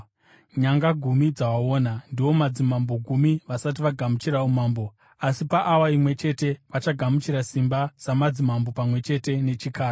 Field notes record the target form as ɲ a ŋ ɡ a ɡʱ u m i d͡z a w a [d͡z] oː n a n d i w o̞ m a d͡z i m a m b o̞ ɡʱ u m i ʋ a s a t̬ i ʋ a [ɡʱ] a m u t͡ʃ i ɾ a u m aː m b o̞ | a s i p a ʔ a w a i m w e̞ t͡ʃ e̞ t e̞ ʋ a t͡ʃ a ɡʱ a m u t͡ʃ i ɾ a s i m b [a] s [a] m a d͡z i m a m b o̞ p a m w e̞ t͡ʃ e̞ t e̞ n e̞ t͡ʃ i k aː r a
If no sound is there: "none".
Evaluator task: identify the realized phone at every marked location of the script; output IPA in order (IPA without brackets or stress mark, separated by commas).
none, ɡʱ, a, a